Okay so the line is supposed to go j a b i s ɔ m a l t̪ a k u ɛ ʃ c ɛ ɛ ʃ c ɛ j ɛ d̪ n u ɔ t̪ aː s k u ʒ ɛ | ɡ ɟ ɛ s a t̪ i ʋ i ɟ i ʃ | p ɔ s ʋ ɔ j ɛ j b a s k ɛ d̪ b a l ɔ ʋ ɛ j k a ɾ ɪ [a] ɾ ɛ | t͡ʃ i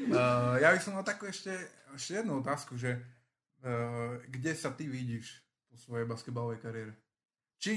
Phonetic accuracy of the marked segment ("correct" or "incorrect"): incorrect